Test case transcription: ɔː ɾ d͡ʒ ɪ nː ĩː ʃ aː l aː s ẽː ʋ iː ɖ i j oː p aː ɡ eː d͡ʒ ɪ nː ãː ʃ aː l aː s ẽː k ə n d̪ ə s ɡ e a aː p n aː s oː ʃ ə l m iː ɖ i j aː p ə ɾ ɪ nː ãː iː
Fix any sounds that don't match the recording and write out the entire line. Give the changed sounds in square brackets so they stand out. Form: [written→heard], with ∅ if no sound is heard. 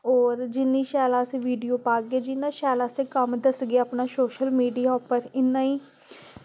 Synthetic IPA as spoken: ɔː ɾ d͡ʒ ɪ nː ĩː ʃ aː l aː s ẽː ʋ iː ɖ i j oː p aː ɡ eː d͡ʒ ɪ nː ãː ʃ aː l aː s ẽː k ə [n→m] d̪ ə s ɡ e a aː p n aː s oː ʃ ə l m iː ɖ i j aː p ə ɾ ɪ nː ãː iː